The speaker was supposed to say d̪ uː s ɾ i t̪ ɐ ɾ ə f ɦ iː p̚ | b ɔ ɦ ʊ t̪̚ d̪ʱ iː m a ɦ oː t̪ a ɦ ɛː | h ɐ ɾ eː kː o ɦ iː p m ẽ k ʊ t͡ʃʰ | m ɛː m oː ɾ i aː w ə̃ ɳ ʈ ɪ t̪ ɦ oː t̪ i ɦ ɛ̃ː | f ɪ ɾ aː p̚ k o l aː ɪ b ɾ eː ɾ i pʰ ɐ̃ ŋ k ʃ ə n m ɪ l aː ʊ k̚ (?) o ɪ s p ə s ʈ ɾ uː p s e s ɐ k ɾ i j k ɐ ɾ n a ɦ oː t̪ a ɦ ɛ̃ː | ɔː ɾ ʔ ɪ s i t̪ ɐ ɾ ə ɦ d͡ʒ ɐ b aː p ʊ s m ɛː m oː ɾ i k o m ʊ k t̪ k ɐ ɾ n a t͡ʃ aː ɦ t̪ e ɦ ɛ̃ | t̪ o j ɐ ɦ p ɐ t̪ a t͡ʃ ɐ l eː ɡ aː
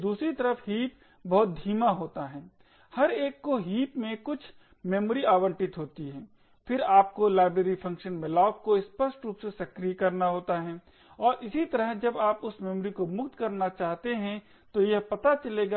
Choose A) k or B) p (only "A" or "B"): A